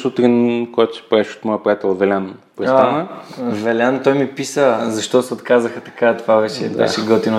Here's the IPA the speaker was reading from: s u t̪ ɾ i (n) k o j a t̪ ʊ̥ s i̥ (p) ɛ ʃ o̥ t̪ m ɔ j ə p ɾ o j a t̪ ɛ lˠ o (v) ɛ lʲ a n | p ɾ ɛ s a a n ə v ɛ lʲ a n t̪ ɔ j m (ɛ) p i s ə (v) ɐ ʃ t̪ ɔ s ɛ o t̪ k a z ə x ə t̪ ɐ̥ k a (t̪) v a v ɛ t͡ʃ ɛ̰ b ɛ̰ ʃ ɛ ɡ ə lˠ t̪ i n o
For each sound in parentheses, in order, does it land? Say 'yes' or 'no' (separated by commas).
yes, yes, yes, no, no, yes